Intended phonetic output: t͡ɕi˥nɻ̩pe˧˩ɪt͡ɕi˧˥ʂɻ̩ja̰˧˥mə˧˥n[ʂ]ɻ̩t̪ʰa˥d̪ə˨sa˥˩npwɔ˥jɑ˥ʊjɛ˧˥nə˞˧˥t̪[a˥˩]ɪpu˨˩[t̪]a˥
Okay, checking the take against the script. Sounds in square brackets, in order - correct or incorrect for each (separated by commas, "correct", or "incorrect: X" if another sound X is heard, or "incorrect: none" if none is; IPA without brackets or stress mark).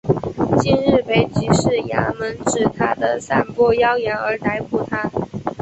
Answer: incorrect: ʈ͡ʂ, incorrect: a˧˥, incorrect: t̪ʰ